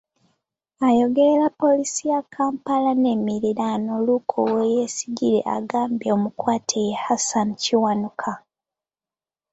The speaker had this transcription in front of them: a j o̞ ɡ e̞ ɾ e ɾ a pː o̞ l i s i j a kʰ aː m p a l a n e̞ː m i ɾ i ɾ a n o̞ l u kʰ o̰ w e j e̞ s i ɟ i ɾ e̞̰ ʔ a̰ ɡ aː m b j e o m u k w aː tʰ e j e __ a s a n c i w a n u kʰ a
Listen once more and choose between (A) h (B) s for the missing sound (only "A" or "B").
A